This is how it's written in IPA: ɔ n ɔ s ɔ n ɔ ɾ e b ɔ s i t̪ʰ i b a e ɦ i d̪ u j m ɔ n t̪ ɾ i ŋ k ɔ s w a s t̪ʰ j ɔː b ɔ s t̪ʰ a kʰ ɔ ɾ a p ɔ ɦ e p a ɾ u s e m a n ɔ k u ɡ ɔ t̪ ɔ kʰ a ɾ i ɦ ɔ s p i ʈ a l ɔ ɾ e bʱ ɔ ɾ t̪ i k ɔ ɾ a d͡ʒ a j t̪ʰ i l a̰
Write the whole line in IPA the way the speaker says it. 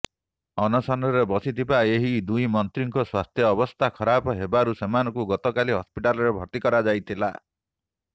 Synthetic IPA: ɔ n ɔ s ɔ n ɔ ɾ e b ɔ s i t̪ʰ i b a e ɦ i d̪ u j m ɔ n t̪ ɾ i ŋ k ɔ s w a s t̪ʰ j ɔː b ɔ s t̪ʰ a kʰ ɔ ɾ a p ɔ ɦ e b a ɾ u s e m a n ɔ k u ɡ ɔ t̪ ɔ k a l i ɦ ɔ s p i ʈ a l ɔ ɾ e bʱ ɔ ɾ t̪ i k ɔ ɾ a d͡ʒ a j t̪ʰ i l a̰